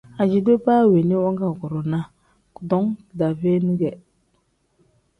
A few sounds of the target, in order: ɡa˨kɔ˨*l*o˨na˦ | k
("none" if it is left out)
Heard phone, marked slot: ɾ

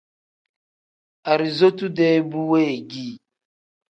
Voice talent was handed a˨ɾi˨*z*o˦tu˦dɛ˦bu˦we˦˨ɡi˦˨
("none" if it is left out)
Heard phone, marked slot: z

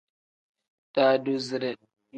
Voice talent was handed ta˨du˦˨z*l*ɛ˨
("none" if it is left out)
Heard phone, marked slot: ɾ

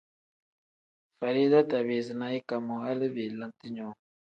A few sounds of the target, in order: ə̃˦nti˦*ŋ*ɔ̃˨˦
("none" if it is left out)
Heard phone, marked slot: ɲ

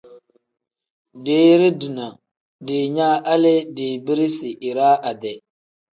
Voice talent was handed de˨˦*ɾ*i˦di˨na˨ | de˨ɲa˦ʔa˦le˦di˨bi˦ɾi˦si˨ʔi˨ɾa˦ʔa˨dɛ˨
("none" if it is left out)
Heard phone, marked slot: ɾ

